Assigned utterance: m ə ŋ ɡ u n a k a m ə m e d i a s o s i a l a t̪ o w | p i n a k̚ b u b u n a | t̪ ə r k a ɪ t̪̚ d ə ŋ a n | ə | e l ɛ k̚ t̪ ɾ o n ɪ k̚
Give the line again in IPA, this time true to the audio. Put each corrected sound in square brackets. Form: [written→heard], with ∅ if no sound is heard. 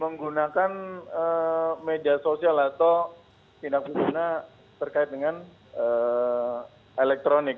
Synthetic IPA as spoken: m ə ŋ ɡ u n a k a [m→n] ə m e d i a s o s i a l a t̪ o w | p i n a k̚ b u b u n a | t̪ ə r k a ɪ t̪̚ d ə ŋ a n | ə | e l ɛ k̚ t̪ ɾ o n ɪ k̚